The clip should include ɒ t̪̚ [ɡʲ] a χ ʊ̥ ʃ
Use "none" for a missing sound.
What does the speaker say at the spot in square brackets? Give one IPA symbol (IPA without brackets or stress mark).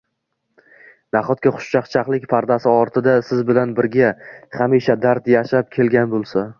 kʲ